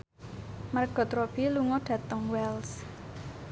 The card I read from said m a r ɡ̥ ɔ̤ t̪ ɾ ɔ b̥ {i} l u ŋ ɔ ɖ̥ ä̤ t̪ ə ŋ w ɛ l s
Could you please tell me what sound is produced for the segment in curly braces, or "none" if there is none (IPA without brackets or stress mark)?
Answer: i